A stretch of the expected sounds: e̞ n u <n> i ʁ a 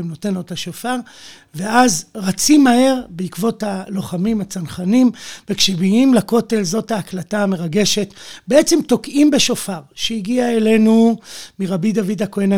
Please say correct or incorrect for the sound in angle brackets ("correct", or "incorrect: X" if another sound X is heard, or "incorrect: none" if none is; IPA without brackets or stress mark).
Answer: incorrect: m